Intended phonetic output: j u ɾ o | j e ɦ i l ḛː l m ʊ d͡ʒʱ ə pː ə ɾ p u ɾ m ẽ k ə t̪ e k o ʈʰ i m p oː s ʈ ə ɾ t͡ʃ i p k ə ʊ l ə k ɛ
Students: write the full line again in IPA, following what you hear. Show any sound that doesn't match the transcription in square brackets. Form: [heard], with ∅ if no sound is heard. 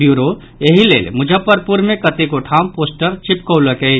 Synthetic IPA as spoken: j u ɾ o | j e ɦ i l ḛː l m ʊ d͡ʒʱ ə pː ə ɾ p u ɾ m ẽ k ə t̪ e k o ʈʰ [a] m p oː s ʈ ə ɾ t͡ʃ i p k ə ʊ l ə k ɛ